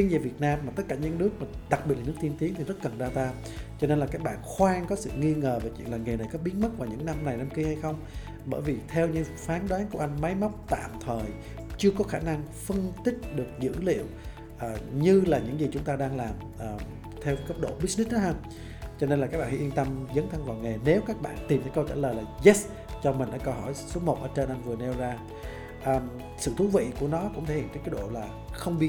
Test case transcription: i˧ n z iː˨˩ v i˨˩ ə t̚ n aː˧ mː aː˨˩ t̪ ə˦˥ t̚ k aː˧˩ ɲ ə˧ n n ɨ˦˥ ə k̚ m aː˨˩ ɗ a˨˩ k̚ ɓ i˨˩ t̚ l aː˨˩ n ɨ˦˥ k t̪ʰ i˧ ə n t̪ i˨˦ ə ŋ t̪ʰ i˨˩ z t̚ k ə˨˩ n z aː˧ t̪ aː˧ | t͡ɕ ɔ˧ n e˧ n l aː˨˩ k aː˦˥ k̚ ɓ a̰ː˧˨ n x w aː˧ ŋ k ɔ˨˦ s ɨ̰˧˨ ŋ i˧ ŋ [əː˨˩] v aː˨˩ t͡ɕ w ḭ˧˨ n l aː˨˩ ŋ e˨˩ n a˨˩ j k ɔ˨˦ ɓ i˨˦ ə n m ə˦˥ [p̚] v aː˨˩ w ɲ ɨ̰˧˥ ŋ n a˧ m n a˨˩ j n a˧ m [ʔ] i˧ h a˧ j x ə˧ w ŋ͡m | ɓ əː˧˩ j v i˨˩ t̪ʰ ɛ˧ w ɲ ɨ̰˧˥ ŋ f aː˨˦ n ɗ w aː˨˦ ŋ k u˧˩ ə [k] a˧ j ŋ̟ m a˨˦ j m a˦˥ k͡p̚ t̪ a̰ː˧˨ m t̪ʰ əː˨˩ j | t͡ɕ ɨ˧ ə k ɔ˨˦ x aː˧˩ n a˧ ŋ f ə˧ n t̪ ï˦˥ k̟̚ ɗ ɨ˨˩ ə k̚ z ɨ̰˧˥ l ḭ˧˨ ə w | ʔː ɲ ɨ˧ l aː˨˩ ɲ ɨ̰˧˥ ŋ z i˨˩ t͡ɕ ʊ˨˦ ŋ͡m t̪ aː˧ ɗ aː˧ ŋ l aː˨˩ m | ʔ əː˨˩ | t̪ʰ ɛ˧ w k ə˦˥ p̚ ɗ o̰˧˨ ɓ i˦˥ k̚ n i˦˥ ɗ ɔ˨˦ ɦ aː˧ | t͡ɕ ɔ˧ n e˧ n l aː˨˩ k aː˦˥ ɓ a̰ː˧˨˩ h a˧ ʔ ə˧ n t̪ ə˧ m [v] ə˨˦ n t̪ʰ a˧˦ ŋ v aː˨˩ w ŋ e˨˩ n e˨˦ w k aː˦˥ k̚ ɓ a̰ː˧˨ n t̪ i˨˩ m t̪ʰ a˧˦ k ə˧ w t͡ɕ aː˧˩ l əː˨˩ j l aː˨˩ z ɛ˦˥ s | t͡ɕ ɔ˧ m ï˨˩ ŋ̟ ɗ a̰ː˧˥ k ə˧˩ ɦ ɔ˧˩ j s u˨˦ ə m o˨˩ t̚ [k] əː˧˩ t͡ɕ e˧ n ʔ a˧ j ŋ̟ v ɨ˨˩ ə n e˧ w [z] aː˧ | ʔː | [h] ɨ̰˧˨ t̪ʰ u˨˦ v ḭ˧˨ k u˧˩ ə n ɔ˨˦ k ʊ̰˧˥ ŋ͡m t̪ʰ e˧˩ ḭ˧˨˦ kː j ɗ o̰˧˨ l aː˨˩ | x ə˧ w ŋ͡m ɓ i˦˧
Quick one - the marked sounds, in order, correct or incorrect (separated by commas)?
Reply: correct, incorrect, incorrect, incorrect, incorrect, incorrect, correct, incorrect